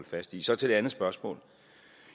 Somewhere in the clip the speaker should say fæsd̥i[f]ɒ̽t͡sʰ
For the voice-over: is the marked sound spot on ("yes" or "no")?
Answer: no